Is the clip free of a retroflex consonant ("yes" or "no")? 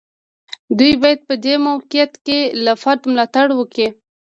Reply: no